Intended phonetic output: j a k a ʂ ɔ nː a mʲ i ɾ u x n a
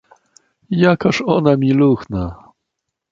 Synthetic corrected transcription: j a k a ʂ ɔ n a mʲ i l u x n a